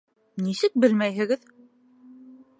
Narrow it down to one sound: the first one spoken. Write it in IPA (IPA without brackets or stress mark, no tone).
n